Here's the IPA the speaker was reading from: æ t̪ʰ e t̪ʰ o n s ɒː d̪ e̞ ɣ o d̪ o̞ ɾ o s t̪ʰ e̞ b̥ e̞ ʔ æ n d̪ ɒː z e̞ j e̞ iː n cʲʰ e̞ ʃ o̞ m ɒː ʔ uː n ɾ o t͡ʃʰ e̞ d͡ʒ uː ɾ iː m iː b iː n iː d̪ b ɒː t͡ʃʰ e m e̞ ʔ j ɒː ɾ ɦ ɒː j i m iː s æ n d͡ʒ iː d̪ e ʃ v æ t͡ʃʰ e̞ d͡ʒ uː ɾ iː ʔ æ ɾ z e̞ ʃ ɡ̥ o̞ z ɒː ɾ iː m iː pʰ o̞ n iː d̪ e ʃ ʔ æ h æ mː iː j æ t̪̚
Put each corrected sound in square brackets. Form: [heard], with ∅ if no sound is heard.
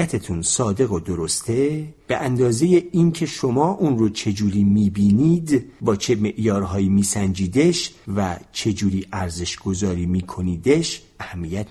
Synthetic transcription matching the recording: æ t̪ʰ e t̪ʰ [u] n s ɒː d̪ e̞ ɣ o d̪ o̞ ɾ o s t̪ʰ e̞ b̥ e̞ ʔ æ n d̪ ɒː z e̞ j e̞ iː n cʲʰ e̞ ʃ o̞ m ɒː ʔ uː n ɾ o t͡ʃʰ e̞ d͡ʒ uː ɾ iː m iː b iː n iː d̪ b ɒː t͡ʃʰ e m e̞ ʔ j ɒː ɾ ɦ ɒː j i m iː s æ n d͡ʒ iː d̪ e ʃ v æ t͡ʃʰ e̞ d͡ʒ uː ɾ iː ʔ æ ɾ z e̞ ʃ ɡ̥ o̞ z ɒː ɾ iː m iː [kʰ] o̞ n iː d̪ e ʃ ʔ æ h æ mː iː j æ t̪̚